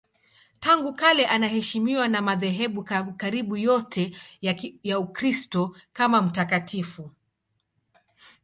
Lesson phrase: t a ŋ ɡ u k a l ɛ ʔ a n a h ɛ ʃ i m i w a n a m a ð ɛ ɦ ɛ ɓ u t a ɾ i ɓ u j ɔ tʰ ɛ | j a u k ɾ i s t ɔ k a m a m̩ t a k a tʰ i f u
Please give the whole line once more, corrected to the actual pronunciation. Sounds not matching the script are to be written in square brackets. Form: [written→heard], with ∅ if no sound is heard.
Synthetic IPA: t a ŋ ɡ u k a l ɛ ʔ a n a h ɛ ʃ i m i w a n a m a ð ɛ ɦ ɛ ɓ u [t→k] a ɾ i ɓ u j ɔ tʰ ɛ | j a u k ɾ i s t ɔ k a m a m̩ t a k a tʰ i f u